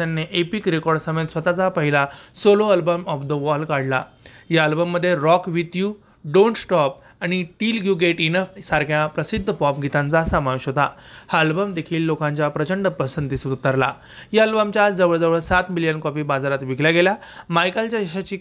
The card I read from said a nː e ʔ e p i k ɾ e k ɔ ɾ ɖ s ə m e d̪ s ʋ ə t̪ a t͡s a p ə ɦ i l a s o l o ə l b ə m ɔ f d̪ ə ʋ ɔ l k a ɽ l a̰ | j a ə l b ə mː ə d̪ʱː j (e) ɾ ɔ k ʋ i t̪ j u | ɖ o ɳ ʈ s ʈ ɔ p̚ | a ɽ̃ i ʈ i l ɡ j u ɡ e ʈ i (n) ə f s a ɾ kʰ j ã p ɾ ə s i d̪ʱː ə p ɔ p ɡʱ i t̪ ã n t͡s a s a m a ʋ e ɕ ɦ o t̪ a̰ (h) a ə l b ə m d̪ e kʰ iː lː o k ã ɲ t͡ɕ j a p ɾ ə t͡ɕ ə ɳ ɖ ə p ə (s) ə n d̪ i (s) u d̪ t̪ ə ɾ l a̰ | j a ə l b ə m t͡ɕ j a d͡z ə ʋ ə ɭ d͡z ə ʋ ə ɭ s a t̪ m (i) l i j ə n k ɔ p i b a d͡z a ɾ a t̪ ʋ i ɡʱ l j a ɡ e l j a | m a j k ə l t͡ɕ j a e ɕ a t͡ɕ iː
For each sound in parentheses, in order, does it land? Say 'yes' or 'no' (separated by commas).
yes, yes, yes, yes, yes, yes